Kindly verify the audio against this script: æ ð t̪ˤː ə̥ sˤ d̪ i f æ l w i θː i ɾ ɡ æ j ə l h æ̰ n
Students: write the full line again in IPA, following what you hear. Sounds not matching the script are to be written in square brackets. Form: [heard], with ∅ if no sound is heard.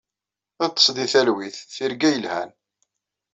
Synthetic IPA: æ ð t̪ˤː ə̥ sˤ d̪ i [θ] æ l w i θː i ɾ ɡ æ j ə l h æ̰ n